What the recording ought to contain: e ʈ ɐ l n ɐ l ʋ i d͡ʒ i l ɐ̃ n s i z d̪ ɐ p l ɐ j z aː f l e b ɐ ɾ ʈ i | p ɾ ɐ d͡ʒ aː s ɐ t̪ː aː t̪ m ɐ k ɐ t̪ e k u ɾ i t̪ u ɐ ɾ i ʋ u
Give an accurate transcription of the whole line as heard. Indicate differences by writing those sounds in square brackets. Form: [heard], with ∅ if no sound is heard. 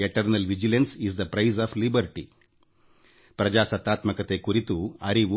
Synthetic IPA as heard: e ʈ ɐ [ɾ] n ɐ l ʋ i d͡ʒ i l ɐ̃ n s i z d̪ ɐ p [ɾ] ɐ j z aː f l [i] b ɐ ɾ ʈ i | p ɾ ɐ d͡ʒ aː s ɐ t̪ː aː t̪ m ɐ k ɐ t̪ e k u ɾ i t̪ u ɐ ɾ i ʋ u